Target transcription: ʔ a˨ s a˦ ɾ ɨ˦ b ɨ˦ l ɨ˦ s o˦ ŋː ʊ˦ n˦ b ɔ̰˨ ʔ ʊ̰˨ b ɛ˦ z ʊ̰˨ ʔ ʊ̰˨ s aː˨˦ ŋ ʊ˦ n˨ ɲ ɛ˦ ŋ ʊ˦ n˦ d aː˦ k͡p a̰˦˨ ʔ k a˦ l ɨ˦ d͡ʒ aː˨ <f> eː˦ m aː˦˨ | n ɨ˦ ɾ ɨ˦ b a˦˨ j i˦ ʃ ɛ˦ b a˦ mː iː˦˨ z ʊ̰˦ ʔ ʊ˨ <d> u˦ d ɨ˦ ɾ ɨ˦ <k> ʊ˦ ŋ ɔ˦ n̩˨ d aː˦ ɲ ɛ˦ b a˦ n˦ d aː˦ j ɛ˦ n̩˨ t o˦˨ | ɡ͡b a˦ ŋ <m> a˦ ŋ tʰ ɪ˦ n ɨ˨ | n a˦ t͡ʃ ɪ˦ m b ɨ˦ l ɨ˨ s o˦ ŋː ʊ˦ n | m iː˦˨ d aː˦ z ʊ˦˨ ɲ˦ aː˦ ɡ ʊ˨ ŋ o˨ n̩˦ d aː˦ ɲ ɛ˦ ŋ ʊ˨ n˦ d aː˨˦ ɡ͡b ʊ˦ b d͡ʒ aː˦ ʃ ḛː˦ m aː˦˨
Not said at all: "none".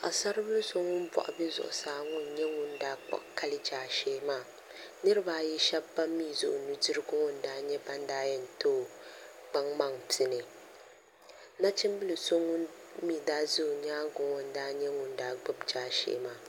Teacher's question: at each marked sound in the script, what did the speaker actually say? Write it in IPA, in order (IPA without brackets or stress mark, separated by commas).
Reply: ʃ, n, ɡ, m